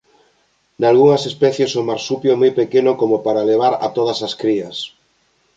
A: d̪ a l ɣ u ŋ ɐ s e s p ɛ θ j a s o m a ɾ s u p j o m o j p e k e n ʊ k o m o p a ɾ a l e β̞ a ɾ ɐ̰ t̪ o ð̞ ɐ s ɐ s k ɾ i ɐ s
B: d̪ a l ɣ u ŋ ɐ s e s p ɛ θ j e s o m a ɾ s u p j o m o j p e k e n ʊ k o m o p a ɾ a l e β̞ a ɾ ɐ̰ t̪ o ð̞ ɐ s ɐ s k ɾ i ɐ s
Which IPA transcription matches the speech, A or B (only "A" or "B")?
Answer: B